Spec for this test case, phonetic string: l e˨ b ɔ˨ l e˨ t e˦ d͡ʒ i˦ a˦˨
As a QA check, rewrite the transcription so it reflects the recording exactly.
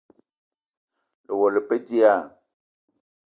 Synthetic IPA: l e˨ w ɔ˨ l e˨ p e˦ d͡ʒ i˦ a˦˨